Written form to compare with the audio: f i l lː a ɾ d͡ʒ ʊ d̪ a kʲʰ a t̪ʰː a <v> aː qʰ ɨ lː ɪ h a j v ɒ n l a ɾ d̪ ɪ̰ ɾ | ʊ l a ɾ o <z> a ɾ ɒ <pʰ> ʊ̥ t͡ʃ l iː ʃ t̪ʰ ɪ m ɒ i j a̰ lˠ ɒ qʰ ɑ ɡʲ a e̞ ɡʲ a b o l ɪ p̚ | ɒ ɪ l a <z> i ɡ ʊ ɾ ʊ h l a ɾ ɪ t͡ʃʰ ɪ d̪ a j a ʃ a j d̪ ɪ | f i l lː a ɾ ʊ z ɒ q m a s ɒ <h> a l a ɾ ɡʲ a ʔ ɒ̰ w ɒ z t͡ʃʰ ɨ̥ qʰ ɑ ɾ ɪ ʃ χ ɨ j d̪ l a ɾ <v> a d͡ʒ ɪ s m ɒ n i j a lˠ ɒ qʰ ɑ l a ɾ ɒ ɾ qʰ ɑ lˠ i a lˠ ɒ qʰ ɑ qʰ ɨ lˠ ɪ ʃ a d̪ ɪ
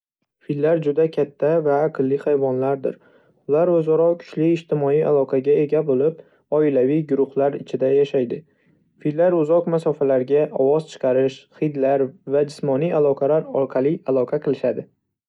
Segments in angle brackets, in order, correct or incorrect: correct, correct, incorrect, incorrect, incorrect, correct

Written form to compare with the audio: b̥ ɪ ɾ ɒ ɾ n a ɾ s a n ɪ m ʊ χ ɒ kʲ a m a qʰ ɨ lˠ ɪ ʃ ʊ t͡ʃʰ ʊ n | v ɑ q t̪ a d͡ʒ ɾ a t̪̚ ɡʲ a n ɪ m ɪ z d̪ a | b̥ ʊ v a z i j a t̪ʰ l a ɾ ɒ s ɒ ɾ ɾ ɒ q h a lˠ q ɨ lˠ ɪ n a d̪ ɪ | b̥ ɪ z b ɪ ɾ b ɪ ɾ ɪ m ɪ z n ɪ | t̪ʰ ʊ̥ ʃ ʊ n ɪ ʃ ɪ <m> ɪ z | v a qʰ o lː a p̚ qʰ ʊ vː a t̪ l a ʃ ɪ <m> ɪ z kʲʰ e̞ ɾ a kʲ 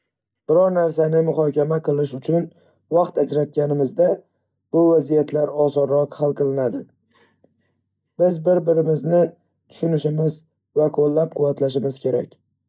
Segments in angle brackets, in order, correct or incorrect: correct, correct

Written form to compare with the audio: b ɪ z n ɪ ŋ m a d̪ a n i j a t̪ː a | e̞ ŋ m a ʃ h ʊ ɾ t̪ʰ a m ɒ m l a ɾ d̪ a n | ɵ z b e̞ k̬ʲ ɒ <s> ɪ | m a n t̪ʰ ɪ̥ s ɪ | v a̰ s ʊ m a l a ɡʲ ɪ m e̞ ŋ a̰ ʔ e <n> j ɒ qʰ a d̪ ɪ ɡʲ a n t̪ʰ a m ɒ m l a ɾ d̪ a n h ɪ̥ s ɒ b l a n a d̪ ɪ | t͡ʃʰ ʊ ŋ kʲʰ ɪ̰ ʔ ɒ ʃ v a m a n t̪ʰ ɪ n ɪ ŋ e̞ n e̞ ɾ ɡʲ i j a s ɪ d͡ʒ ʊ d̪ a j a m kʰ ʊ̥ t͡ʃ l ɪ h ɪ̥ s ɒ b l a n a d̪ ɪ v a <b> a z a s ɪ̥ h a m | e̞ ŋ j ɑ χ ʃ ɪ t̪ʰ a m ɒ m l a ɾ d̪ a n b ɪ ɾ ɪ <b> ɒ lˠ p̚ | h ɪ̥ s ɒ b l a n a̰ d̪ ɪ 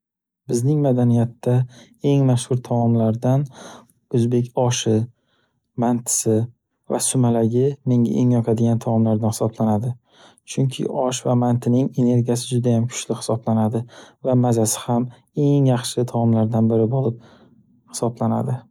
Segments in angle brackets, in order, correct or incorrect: incorrect, incorrect, incorrect, correct

